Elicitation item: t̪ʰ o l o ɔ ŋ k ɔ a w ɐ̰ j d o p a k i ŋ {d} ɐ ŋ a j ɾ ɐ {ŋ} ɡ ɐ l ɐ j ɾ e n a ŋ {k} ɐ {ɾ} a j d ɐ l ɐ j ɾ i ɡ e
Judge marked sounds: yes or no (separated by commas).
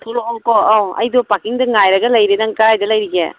yes, no, yes, yes